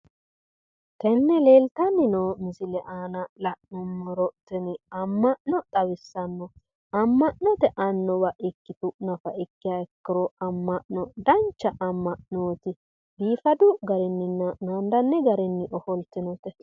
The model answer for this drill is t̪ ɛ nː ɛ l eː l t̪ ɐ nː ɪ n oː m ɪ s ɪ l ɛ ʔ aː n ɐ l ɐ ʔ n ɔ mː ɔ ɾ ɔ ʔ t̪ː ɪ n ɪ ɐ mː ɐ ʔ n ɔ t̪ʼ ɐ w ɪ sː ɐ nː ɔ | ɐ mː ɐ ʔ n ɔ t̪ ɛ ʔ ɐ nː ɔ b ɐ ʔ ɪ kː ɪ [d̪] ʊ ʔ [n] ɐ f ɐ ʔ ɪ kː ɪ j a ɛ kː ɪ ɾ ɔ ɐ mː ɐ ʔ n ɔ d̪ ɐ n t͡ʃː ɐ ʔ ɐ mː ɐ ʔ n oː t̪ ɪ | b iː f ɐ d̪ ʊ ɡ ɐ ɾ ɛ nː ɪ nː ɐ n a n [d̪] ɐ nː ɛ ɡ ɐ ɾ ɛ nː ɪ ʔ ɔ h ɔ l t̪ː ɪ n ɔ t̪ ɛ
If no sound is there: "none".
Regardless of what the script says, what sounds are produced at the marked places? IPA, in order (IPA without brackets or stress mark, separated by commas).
t̪, n, d̪